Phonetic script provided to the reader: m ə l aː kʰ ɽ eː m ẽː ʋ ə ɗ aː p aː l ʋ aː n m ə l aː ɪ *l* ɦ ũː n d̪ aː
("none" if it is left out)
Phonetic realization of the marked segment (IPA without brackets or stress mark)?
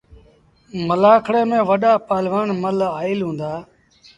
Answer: l